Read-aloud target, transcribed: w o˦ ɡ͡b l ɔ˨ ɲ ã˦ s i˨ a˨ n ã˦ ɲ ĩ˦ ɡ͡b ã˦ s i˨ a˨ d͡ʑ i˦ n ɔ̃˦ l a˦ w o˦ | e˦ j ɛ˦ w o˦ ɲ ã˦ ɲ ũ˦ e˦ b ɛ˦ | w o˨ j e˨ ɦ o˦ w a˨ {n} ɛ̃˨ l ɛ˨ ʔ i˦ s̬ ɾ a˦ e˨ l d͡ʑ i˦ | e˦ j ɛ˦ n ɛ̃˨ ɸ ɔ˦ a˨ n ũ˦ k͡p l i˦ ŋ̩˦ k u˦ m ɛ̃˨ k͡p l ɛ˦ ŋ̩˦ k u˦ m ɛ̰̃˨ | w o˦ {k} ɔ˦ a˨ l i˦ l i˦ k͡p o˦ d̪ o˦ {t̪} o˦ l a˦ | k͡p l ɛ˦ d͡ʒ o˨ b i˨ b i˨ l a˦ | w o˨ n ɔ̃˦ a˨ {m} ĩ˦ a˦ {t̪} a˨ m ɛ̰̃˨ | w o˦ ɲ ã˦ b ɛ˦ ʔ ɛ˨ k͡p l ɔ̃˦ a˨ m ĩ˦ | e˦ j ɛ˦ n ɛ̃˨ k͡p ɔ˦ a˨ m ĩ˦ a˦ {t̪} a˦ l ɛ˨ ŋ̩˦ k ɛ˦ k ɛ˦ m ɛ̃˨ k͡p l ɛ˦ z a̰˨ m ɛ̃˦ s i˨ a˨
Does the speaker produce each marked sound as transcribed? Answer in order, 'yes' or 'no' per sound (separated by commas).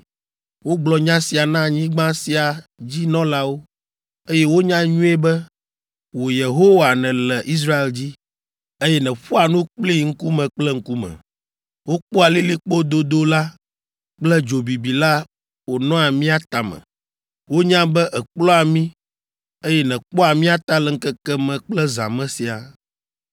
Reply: yes, no, no, yes, yes, yes